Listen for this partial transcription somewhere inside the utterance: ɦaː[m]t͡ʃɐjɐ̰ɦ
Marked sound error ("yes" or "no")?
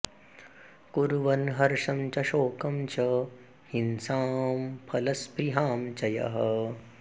no